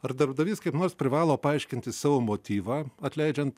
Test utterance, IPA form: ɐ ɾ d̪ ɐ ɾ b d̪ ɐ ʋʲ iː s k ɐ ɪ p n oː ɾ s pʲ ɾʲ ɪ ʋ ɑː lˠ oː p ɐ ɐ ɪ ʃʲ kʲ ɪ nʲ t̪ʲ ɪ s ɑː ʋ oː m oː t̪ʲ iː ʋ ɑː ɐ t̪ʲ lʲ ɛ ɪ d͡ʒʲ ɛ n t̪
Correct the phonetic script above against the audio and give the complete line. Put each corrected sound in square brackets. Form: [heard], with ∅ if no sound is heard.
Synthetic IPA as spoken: ɐ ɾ d̪ ɐ ɾ b d̪ ɐ ʋʲ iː s k ɐ ɪ p n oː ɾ s pʲ ɾʲ ɪ ʋ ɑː lˠ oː p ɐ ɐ ɪ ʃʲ kʲ ɪ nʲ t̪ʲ ɪ s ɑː ʋ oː m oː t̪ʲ iː ʋ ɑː ɐ t̪ʲ lʲ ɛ ɪ d͡ʒʲ ɛ n t̪

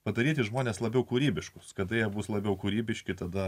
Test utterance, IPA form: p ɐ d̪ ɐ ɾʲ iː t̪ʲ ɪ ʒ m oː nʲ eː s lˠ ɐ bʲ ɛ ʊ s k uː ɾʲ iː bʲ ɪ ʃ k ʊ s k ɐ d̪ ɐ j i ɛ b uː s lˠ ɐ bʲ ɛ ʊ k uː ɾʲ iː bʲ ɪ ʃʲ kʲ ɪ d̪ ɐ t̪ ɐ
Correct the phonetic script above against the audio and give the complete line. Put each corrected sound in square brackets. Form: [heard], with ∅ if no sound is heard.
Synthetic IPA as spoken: p ɐ d̪ ɐ ɾʲ iː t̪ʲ ɪ ʒ m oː nʲ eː s lˠ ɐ bʲ ɛ ʊ [∅] k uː ɾʲ iː bʲ ɪ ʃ k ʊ s k ɐ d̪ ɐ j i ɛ b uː s lˠ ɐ bʲ ɛ ʊ k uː ɾʲ iː bʲ ɪ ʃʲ kʲ ɪ [t̪] ɐ [d̪] ɐ

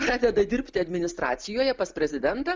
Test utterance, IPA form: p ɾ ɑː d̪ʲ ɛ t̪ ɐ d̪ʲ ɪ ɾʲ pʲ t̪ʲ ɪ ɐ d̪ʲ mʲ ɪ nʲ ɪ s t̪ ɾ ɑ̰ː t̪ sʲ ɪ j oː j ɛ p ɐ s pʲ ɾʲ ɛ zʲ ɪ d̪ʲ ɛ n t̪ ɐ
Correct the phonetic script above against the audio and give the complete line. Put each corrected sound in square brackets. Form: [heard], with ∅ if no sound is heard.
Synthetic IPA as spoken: p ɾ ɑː d̪ʲ ɛ [d̪] ɐ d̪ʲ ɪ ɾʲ pʲ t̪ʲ ɪ ɐ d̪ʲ mʲ ɪ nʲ ɪ s t̪ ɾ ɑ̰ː t̪ sʲ ɪ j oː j ɛ p ɐ s pʲ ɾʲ ɛ zʲ ɪ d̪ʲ ɛ n t̪ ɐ

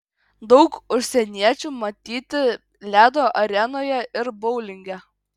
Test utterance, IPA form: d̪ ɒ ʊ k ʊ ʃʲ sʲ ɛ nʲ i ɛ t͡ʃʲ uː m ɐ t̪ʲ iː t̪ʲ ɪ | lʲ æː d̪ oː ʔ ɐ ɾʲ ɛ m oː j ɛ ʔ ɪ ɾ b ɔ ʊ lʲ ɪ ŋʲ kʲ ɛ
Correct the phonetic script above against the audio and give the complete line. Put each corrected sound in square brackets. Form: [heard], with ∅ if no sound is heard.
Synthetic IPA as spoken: d̪ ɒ ʊ k ʊ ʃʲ sʲ ɛ nʲ i ɛ t͡ʃʲ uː m ɐ t̪ʲ iː t̪ʲ ɪ | lʲ æː d̪ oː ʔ ɐ ɾʲ ɛ [n] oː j ɛ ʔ ɪ ɾ b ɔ ʊ lʲ ɪ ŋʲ [ɡʲ] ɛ

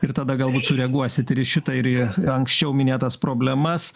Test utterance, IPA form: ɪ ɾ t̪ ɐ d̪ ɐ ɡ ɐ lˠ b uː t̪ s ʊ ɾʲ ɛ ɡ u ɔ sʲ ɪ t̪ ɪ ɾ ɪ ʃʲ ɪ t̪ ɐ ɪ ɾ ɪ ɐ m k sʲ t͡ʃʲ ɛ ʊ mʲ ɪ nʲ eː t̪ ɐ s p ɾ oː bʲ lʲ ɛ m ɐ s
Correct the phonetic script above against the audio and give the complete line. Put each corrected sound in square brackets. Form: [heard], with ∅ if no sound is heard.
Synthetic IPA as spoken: ɪ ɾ t̪ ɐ d̪ ɐ ɡ ɐ lˠ b uː t̪ s ʊ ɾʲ ɛ ɡ u ɔ sʲ ɪ t̪ ɪ ɾ ɪ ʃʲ ɪ t̪ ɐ ɪ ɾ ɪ ɐ [ŋ] k sʲ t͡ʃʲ ɛ ʊ mʲ ɪ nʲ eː t̪ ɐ s p ɾ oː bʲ lʲ ɛ m ɐ s

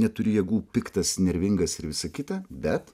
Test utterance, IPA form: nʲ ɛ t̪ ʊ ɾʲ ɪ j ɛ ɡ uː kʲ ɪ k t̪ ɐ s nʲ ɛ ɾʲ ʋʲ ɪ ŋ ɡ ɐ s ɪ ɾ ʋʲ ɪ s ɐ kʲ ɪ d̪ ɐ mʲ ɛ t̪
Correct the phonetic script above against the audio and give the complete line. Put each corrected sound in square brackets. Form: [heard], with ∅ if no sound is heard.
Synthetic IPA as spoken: nʲ ɛ t̪ ʊ ɾʲ ɪ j ɛ ɡ uː [pʲ] ɪ k t̪ ɐ s nʲ ɛ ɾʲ ʋʲ ɪ ŋ ɡ ɐ s ɪ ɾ ʋʲ ɪ s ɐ kʲ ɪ [t̪] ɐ [bʲ] ɛ t̪

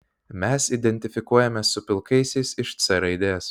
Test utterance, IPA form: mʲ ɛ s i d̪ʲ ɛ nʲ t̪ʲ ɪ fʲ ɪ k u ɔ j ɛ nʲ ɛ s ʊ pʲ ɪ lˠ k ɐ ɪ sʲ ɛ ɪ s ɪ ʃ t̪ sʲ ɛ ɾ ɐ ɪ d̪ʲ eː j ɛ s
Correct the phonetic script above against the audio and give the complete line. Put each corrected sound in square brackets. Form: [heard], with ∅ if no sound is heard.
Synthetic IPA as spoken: mʲ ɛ s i d̪ʲ ɛ nʲ t̪ʲ ɪ fʲ ɪ k u ɔ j ɛ [mʲ] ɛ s ʊ pʲ ɪ lˠ k ɐ ɪ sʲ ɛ ɪ s ɪ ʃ t̪ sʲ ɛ ɾ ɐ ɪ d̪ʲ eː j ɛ s

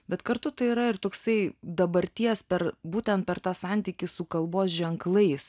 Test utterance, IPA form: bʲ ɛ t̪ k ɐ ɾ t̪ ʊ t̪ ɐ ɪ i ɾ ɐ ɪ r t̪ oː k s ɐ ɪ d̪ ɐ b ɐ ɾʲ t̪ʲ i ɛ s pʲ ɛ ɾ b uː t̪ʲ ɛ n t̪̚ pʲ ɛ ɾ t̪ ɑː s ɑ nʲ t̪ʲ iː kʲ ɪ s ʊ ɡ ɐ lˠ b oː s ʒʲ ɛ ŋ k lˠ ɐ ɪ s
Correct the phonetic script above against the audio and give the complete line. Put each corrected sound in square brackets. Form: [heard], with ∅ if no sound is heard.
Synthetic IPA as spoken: bʲ ɛ t̪ k ɐ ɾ t̪ ʊ t̪ ɐ ɪ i ɾ ɐ ɪ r t̪ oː k s ɐ ɪ d̪ ɐ b ɐ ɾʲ t̪ʲ i ɛ s pʲ ɛ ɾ b uː t̪ʲ ɛ n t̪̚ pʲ ɛ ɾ t̪ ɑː s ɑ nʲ t̪ʲ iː kʲ ɪ s ʊ [k] ɐ lˠ b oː s ʒʲ ɛ ŋ k lˠ ɐ ɪ s

